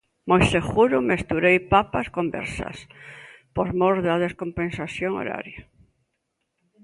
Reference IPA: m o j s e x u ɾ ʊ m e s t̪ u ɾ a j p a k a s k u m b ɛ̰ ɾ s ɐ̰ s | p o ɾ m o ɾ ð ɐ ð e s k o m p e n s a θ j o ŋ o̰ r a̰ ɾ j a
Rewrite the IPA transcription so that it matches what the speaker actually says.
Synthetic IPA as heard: m o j s e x u ɾ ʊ m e s t̪ u ɾ e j p a p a s k o m b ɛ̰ ɾ s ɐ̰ s | p o ɾ m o ɾ ð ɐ ð e s k o m p e n s a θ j o ŋ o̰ ɾ a̰ ɾ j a